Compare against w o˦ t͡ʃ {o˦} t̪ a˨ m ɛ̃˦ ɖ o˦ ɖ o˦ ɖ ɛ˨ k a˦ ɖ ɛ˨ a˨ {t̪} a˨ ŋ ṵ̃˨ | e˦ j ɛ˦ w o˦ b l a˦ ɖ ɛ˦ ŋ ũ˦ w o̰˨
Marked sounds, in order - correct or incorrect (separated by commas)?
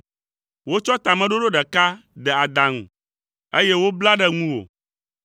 incorrect, incorrect